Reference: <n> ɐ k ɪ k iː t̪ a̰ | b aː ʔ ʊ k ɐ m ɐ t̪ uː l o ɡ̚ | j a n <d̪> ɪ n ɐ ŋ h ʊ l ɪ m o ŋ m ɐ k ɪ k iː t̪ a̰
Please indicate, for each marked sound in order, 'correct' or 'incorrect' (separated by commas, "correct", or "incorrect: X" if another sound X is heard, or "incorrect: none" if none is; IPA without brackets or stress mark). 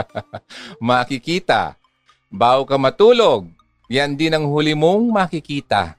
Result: incorrect: m, correct